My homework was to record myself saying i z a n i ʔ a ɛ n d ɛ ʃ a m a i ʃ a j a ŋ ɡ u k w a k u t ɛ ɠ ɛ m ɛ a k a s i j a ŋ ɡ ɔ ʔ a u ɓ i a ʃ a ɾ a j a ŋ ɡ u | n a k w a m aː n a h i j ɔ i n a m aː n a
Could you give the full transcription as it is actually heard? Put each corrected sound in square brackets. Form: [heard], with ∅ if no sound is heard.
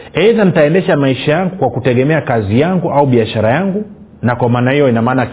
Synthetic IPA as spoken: [ɛ] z a n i [t] a ɛ n d ɛ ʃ a m a i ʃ a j a ŋ ɡ u k w a k u t ɛ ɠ ɛ m ɛ a k a [z] i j a ŋ ɡ [u] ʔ a u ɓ i a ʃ a ɾ a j a ŋ ɡ u | n a k w a m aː n a h i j ɔ i n a m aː n a